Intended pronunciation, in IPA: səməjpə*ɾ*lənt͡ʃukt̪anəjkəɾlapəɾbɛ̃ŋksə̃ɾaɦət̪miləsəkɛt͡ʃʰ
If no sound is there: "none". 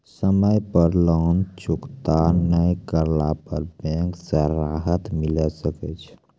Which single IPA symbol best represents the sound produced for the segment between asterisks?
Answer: ɾ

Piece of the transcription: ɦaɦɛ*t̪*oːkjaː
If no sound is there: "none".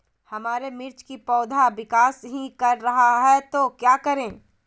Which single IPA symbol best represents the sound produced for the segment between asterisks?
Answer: t̪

